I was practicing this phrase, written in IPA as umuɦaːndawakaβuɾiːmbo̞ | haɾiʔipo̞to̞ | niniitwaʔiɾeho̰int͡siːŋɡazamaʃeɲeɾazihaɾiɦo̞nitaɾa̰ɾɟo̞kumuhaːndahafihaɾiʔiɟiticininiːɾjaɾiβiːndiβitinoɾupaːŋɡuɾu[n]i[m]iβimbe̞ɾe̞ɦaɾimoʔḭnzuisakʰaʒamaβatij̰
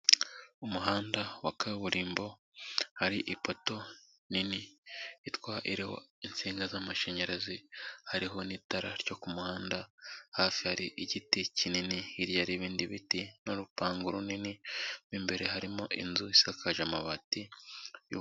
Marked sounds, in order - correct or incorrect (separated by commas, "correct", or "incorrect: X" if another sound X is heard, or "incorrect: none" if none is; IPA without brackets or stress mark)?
correct, incorrect: n